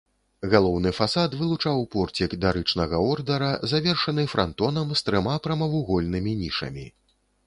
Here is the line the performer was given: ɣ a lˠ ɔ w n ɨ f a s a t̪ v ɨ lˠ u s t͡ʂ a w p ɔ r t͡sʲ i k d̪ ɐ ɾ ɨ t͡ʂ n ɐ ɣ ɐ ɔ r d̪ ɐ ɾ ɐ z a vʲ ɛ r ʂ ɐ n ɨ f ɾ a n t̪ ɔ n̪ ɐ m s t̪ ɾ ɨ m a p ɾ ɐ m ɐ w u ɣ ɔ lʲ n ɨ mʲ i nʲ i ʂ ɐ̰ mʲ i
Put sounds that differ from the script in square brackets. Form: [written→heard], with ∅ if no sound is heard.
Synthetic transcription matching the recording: ɣ a lˠ ɔ w n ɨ f a s a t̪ v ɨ lˠ u [s→∅] t͡ʂ a w p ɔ r t͡sʲ i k d̪ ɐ ɾ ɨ t͡ʂ n ɐ ɣ ɐ ɔ r d̪ ɐ ɾ ɐ z a vʲ ɛ r ʂ ɐ n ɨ f ɾ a n t̪ ɔ n̪ ɐ m s t̪ ɾ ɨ m a p ɾ ɐ m ɐ [w→v] u ɣ ɔ lʲ n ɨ mʲ i nʲ i ʂ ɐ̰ mʲ i